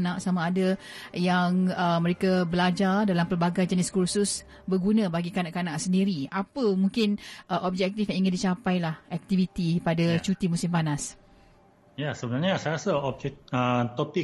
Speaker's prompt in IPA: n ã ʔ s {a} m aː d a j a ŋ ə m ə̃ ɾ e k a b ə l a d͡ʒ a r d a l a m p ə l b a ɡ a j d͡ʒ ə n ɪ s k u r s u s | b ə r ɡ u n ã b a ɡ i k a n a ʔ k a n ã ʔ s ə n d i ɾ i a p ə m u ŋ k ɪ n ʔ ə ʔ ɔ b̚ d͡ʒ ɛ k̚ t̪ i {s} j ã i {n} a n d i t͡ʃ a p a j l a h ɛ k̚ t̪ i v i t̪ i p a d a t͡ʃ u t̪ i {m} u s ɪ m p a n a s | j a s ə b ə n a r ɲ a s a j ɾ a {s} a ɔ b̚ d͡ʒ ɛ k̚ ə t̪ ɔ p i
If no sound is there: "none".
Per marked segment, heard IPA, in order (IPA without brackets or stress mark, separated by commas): a, f, ŋ, m, s